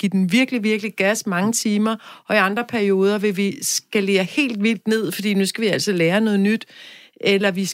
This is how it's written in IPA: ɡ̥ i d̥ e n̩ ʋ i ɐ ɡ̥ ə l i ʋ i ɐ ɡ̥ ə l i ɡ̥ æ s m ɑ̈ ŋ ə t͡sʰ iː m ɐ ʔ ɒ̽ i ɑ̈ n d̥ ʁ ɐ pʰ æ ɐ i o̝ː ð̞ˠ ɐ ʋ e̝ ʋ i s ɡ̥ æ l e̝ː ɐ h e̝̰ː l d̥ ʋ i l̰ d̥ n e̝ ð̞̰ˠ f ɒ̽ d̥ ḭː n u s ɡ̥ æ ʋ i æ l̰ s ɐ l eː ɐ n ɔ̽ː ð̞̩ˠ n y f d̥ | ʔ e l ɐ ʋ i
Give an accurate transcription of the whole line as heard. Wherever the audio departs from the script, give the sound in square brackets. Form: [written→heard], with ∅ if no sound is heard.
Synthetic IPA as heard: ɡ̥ i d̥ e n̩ ʋ i ɐ ɡ̥ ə l i ʋ i ɐ ɡ̥ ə l i ɡ̥ æ s m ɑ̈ ŋ ə t͡sʰ iː m ɐ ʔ ɒ̽ i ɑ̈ n d̥ ʁ ɐ pʰ æ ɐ i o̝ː ð̞ˠ ɐ ʋ e̝ ʋ i s ɡ̥ æ l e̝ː ɐ h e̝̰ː l d̥ ʋ i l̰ d̥ n e̝ ð̞̰ˠ f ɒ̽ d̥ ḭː n u s ɡ̥ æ ʋ i æ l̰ s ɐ l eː ɐ n ɔ̽ː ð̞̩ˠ n y [f→∅] d̥ | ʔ e l ɐ ʋ i